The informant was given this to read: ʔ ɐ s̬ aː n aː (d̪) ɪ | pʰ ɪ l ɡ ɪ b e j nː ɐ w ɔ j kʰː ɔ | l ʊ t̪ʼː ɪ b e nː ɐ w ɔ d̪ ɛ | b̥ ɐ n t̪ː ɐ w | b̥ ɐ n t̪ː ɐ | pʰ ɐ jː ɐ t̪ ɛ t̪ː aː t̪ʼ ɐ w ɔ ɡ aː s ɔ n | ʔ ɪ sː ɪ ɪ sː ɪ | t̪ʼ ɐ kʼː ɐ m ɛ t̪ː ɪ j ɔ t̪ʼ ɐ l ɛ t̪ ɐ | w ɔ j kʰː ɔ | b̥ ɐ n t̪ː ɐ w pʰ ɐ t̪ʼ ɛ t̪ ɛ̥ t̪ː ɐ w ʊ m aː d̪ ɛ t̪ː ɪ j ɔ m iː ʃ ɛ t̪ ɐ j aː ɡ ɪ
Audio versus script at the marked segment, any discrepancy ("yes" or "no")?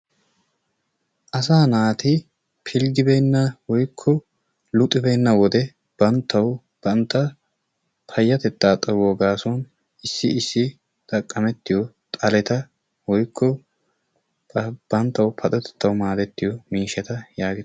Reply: yes